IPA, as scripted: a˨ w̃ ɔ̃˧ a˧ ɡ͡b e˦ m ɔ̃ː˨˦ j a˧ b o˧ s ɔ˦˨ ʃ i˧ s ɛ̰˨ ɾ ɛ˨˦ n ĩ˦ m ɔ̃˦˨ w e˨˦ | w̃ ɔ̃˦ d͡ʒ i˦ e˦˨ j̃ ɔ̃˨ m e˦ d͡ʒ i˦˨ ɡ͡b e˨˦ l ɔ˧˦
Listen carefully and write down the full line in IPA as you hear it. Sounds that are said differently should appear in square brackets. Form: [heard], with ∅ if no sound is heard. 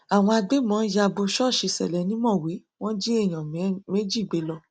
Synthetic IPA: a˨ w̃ ɔ̃˧ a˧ ɡ͡b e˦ m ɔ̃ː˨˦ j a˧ b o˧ [ʃ] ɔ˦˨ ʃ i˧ s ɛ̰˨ [l] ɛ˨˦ n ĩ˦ m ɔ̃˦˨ w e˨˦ | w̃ ɔ̃˦ d͡ʒ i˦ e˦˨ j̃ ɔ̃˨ m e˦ d͡ʒ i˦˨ ɡ͡b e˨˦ l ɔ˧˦